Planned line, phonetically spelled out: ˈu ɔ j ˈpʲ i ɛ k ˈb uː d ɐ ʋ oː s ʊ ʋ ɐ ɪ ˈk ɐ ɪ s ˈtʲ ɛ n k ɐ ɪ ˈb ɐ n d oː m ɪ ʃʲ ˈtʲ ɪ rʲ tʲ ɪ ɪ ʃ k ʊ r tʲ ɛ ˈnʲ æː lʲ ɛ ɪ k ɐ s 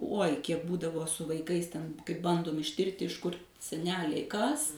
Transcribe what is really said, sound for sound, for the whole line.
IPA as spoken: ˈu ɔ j ˈkʲ i ɛ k ˈb uː d ɐ ʋ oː s ʊ ʋ ɐ ɪ ˈk ɐ ɪ s ˈtʲ ɛ n k ɐ ɪ ˈb ɐ n d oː m ɪ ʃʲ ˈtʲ ɪ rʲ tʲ ɪ ɪ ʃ k ʊ r sʲ ɛ ˈnʲ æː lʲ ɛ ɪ k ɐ s